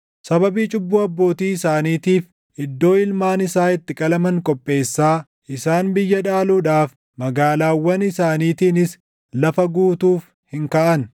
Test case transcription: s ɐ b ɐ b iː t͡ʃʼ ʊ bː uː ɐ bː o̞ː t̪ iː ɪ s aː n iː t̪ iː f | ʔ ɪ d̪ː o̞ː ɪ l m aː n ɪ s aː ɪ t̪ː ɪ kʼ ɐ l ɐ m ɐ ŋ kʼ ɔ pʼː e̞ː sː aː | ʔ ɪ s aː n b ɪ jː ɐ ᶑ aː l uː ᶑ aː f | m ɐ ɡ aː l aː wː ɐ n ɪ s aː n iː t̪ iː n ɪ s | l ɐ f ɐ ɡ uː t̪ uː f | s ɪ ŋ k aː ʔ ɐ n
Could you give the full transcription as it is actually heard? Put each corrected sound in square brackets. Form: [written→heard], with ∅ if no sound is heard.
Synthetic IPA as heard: s ɐ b ɐ b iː t͡ʃʼ ʊ bː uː ɐ bː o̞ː t̪ iː ɪ s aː n iː t̪ iː f | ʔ ɪ d̪ː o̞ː ɪ l m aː n ɪ s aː ɪ t̪ː ɪ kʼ ɐ l ɐ m ɐ ŋ kʼ ɔ pʼː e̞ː sː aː | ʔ ɪ s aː n b ɪ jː ɐ ᶑ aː l uː ᶑ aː f | m ɐ ɡ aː l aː wː ɐ n ɪ s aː n iː t̪ iː n ɪ s | l ɐ f ɐ ɡ uː t̪ uː f | [s→h] ɪ ŋ k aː ʔ ɐ n